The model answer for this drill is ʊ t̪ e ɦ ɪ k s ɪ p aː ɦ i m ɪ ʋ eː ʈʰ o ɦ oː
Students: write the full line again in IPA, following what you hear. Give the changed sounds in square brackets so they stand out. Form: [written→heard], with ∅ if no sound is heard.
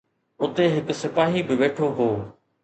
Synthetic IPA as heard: ʊ t̪ e ɦ ɪ k s ɪ p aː ɦ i [m→b] ɪ ʋ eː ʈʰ o ɦ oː